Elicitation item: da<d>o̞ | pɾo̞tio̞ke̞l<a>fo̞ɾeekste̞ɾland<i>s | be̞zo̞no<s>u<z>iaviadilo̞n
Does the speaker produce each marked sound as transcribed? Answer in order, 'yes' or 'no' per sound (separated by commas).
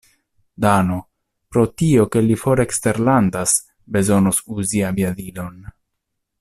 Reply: no, no, no, yes, yes